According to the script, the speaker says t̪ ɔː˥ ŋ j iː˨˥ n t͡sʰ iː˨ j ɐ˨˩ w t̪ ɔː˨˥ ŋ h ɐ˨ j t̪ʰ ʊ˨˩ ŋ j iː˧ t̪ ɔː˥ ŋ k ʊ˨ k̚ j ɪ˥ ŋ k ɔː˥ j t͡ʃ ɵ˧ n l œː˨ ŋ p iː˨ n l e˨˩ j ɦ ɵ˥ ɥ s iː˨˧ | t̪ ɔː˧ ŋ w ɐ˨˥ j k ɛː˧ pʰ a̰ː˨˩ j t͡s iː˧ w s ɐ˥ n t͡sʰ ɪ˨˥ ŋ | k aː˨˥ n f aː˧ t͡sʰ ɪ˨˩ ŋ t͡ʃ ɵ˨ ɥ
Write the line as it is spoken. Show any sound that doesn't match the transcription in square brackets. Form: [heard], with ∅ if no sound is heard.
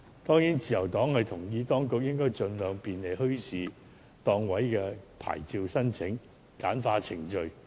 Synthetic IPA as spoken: t̪ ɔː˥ ŋ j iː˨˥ n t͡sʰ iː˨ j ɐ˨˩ w t̪ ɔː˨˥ ŋ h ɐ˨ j t̪ʰ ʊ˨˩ ŋ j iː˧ t̪ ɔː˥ ŋ k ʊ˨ k̚ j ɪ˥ ŋ k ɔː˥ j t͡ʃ ɵ˧ n l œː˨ ŋ p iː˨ n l e˨˩ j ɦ ɵ˥ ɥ s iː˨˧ | t̪ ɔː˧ ŋ w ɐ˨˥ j k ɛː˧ pʰ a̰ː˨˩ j t͡s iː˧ w s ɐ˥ n t͡sʰ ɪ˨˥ ŋ | k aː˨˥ n f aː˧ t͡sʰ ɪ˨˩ ŋ t͡ʃ ɵ˨ ɥ